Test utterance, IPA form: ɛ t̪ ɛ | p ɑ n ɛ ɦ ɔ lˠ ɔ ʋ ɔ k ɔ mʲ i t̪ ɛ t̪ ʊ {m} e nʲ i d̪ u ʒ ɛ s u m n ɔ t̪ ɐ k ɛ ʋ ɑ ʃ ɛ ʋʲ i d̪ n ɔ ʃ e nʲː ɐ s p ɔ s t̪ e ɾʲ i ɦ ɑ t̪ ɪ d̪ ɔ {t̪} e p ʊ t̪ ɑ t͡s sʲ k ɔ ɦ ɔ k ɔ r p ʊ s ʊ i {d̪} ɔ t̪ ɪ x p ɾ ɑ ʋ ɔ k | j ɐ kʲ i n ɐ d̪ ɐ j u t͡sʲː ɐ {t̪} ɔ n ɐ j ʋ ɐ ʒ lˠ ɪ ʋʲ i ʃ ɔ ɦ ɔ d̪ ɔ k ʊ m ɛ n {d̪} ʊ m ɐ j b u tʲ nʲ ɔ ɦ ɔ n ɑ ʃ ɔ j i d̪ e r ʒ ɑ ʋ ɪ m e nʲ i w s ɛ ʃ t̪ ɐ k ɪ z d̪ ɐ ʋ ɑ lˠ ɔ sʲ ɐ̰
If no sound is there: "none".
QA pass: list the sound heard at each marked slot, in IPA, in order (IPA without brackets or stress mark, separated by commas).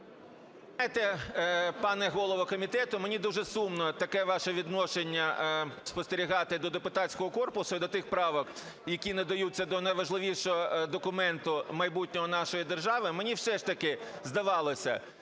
m, d̪, d̪, d̪, t̪